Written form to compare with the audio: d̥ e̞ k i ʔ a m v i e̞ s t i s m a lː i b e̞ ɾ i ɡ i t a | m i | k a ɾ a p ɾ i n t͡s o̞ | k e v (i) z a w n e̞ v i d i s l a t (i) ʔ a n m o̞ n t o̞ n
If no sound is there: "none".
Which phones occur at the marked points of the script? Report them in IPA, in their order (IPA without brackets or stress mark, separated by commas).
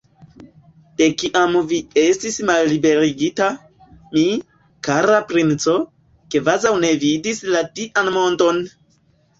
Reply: a, i